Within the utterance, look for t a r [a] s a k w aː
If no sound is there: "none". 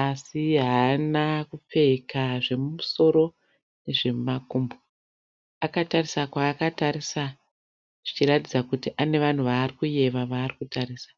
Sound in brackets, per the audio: i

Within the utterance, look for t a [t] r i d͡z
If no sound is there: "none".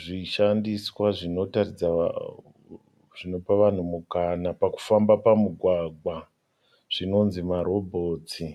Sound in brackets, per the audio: none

